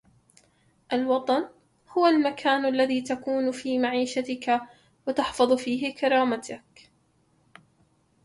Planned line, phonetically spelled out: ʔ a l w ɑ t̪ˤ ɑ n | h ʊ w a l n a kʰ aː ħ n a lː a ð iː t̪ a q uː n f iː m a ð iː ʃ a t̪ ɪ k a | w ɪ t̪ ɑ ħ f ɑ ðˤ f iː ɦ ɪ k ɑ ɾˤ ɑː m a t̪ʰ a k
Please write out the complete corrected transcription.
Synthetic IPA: ʔ a l w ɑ t̪ˤ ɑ n | h ʊ w a l m a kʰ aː n a lː a ð iː t̪ a k uː n f iː m a ʕ iː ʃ a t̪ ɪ k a | w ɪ t̪ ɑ ħ f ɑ ðˤ f iː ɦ ɪ k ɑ ɾˤ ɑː m a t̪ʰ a k